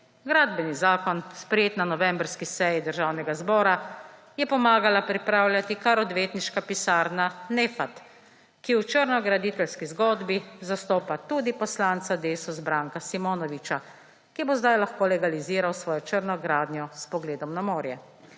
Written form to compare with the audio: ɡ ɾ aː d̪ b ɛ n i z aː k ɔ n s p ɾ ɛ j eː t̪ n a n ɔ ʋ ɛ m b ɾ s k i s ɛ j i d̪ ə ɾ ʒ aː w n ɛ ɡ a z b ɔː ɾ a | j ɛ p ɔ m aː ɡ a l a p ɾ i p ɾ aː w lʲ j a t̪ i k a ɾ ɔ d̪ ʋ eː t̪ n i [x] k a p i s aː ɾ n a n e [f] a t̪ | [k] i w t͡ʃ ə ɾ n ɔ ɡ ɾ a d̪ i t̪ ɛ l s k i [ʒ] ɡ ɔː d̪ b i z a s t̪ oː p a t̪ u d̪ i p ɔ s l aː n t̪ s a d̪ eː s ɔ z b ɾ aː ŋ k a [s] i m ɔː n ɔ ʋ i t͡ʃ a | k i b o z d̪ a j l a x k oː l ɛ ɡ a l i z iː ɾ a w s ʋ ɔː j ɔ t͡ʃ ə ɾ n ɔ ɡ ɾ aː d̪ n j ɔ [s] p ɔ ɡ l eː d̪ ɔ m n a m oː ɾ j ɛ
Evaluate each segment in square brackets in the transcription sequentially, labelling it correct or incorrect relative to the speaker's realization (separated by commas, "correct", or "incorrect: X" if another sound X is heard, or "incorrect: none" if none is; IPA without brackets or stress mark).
incorrect: ʃ, correct, correct, incorrect: z, correct, correct